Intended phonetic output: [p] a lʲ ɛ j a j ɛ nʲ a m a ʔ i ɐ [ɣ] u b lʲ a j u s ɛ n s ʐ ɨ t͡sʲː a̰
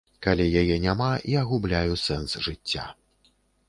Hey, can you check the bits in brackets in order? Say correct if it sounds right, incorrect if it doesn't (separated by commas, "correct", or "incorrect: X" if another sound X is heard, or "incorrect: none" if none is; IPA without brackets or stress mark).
incorrect: k, correct